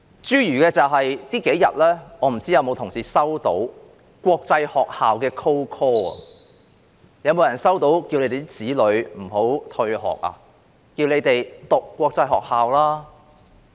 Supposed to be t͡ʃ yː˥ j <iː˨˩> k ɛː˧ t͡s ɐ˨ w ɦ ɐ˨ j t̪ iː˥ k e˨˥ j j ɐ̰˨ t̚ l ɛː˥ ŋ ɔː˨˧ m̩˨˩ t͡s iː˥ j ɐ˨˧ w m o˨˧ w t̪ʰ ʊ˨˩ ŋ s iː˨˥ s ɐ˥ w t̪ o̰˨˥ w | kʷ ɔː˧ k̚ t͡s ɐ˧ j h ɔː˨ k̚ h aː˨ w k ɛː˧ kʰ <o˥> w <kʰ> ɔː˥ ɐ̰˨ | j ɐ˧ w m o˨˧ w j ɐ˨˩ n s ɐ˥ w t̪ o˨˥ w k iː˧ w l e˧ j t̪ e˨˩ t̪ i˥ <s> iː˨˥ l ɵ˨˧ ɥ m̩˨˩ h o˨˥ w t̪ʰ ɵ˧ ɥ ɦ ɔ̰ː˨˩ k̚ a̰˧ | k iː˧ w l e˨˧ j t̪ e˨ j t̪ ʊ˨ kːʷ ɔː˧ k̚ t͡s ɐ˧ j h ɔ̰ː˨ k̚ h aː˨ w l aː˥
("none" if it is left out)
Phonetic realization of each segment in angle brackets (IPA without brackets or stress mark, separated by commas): yː˨˩, o˥, kʰ, t͡s